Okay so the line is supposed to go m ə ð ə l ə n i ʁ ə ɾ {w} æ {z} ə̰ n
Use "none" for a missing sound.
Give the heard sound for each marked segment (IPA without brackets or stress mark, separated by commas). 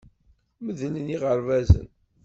v, z